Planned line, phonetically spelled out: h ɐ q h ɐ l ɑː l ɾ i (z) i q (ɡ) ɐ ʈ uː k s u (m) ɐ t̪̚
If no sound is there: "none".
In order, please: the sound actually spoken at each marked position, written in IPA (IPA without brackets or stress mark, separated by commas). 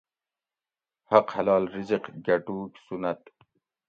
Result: z, ɡ, n